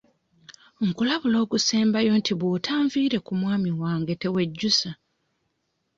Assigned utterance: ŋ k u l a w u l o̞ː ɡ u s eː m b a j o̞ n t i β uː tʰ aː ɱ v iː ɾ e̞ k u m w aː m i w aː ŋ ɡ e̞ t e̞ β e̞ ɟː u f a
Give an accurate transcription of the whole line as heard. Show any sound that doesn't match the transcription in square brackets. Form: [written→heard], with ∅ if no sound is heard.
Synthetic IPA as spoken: ŋ k u l a [w→β] u l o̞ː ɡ u s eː m b a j o̞ n t i β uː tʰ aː ɱ v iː ɾ e̞ k u m w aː m i w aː ŋ ɡ e̞ t e̞ [β→w] e̞ ɟː u [f→s] a